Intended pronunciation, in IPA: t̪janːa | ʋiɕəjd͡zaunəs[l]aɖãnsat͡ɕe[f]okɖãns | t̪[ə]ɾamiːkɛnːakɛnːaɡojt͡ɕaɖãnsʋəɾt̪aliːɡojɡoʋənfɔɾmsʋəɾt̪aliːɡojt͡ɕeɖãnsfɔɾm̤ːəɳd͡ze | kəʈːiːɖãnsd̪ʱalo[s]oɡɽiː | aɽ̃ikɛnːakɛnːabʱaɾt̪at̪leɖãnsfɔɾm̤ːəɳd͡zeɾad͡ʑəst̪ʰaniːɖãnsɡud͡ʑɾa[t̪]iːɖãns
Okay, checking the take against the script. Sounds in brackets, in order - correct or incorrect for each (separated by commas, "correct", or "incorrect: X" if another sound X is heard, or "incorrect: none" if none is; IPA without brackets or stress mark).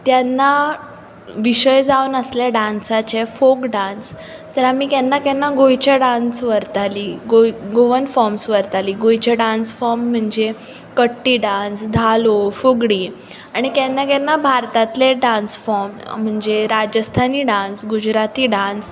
correct, correct, correct, incorrect: f, correct